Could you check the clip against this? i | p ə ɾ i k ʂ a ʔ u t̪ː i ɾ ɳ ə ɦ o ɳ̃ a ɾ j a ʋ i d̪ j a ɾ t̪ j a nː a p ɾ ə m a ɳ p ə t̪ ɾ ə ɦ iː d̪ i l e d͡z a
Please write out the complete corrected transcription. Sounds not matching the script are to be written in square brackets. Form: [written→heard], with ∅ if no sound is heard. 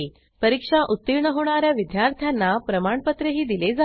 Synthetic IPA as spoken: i | p ə ɾ i k ʂ a ʔ u t̪ː i ɾ ɳ ə ɦ o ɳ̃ a ɾ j a ʋ i d̪ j a ɾ [t̪→t̪ʰ] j a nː a p ɾ ə m a ɳ p ə t̪ ɾ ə ɦ iː d̪ i l e d͡z a